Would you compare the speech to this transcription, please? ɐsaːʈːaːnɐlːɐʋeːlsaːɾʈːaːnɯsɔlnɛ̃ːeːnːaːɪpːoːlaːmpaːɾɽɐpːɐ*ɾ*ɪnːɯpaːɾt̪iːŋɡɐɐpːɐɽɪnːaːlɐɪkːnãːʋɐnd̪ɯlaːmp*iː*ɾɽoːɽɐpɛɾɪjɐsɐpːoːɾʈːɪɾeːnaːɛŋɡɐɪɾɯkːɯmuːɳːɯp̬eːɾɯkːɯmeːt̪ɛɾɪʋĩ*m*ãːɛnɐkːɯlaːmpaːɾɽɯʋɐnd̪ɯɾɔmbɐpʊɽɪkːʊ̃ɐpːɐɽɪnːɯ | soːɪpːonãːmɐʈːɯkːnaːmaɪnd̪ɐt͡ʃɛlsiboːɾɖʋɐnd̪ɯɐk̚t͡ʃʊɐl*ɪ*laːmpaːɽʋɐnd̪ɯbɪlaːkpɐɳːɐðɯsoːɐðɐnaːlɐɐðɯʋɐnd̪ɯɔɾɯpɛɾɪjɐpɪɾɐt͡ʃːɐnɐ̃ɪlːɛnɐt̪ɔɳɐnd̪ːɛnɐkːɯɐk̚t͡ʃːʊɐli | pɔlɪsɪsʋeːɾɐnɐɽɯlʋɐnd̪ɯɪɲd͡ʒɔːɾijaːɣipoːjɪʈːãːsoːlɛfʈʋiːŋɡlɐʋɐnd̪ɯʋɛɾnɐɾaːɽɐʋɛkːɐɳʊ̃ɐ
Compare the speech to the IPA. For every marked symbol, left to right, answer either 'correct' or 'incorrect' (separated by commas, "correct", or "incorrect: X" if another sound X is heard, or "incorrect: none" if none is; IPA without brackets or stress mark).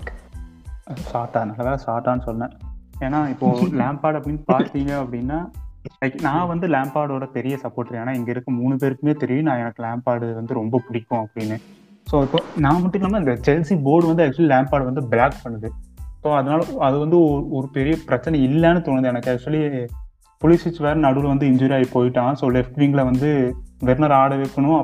incorrect: ɽ, incorrect: aː, incorrect: n, incorrect: i